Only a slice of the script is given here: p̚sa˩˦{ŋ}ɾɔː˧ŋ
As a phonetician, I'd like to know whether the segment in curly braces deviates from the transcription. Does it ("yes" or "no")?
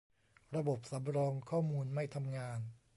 yes